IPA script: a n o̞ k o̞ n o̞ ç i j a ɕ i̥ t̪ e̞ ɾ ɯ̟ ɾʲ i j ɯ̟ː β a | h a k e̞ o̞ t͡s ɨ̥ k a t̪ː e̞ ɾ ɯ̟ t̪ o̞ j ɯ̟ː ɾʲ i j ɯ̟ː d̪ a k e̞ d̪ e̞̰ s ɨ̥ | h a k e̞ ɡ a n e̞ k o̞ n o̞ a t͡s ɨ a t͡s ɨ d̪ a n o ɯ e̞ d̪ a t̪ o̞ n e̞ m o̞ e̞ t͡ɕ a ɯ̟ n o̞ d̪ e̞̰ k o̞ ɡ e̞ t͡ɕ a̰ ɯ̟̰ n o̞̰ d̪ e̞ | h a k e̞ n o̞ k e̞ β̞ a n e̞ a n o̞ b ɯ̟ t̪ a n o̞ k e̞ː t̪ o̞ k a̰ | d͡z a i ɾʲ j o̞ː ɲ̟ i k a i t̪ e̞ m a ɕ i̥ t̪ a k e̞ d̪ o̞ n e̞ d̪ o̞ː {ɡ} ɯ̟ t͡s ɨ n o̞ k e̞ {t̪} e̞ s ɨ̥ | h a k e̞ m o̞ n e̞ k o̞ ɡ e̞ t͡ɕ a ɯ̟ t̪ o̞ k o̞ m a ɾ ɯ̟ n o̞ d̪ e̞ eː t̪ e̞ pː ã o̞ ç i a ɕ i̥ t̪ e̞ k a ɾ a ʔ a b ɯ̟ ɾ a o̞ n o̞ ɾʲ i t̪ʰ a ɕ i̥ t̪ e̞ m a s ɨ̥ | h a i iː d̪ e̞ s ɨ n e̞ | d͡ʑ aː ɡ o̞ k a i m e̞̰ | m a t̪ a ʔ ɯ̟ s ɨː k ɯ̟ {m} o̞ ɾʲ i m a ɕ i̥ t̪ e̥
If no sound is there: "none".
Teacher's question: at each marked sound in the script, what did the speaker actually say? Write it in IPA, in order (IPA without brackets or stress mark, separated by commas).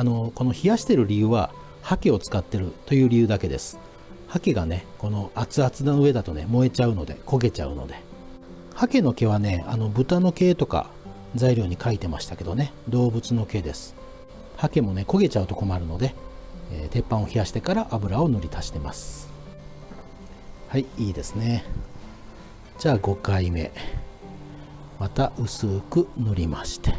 b, d̪, n